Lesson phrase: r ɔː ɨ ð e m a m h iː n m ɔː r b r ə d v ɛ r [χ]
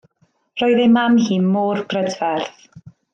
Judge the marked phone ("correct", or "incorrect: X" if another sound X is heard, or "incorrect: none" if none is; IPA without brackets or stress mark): incorrect: θ